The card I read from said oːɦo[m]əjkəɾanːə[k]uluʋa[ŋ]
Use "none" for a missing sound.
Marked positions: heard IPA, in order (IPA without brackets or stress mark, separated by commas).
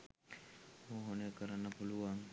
n, p, ŋ